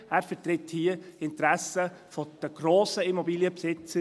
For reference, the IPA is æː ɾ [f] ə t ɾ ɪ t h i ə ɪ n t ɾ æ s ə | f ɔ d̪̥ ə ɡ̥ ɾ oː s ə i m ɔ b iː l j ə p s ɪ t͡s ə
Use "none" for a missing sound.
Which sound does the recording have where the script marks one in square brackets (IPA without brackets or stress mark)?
f